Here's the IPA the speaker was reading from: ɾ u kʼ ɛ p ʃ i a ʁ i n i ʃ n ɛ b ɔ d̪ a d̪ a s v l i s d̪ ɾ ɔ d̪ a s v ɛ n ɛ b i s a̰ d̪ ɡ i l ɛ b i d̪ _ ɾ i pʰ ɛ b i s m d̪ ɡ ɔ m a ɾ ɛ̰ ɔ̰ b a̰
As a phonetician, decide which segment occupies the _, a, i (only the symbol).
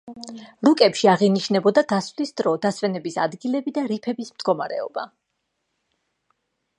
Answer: a